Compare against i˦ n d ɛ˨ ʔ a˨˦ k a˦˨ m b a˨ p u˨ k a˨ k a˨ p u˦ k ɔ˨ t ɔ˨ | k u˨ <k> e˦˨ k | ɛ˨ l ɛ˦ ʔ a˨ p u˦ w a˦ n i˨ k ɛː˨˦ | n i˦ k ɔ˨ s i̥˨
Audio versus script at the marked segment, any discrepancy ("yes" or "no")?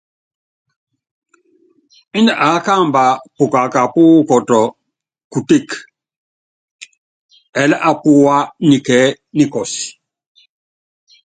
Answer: yes